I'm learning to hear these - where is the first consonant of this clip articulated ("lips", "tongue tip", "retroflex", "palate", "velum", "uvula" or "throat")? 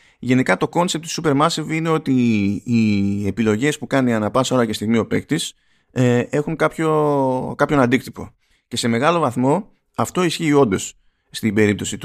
palate